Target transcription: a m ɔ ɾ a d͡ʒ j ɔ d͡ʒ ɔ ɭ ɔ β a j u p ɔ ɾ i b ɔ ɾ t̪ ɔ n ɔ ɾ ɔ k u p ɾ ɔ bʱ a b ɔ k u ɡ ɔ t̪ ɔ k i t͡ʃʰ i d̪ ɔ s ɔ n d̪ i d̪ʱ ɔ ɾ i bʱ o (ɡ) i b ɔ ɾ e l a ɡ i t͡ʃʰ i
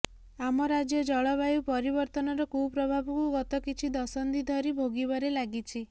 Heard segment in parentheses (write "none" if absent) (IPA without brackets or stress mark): ɡ